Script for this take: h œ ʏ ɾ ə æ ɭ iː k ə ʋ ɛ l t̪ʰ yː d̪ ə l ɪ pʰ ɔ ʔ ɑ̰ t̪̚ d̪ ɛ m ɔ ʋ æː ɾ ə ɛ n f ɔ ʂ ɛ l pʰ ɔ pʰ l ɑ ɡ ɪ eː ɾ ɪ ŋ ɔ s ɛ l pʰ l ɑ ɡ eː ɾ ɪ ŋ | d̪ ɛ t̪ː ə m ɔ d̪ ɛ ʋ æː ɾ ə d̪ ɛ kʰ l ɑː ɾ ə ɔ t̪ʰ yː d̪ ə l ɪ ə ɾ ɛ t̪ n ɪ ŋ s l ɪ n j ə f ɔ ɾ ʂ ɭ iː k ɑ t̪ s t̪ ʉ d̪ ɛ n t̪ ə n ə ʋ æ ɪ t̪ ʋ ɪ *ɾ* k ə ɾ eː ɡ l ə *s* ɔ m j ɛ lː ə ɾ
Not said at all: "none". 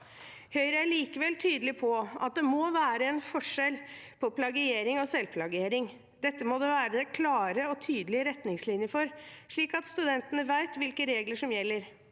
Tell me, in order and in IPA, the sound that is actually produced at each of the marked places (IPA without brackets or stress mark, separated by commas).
l, ʂ